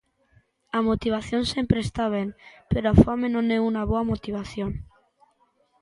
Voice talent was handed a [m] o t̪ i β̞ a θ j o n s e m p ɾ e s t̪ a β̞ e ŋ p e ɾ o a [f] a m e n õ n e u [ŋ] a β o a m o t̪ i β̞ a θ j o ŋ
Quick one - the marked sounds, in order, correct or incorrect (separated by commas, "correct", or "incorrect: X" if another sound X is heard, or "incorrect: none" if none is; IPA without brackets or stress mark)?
correct, correct, incorrect: n